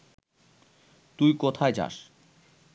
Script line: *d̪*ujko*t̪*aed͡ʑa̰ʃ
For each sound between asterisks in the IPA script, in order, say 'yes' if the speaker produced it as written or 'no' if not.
no, no

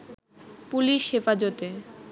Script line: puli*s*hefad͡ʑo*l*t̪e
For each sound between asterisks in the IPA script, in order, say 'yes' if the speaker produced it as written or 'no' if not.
no, no

